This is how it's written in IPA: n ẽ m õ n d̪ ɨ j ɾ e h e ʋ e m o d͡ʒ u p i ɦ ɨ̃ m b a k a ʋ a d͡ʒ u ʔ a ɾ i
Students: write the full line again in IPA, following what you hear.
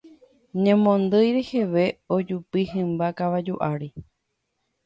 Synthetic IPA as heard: ɲ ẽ m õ n d̪ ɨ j ɾ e h e ʋ e o d͡ʒ u p i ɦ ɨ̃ m b a k a ʋ a d͡ʒ u ʔ a ɾ i